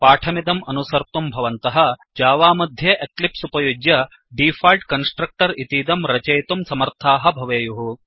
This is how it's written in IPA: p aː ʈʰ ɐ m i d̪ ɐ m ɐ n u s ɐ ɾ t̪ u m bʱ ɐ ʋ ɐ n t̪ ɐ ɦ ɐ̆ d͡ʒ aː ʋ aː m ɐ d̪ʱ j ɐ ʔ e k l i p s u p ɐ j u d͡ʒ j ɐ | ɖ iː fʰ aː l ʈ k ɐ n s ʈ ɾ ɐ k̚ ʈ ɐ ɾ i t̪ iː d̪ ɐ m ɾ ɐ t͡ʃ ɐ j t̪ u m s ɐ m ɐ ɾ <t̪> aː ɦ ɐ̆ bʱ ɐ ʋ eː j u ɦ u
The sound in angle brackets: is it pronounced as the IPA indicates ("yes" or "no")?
no